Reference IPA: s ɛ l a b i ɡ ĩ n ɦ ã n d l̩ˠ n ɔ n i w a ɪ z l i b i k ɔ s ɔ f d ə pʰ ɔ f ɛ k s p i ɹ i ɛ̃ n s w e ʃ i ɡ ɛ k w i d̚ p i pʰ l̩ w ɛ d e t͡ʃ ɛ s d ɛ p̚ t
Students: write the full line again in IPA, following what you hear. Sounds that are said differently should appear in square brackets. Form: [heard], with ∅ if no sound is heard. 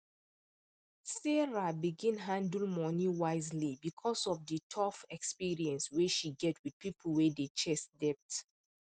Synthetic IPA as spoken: s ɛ [ɹ] a b i ɡ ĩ n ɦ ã n d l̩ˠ [m] ɔ n i w a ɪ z l i b i [kʰ] ɔ s ɔ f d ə [tʰ] ɔ f ɛ k s p i ɹ i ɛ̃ n s w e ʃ i ɡ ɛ [t] w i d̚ p i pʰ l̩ w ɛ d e t͡ʃ ɛ s d ɛ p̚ t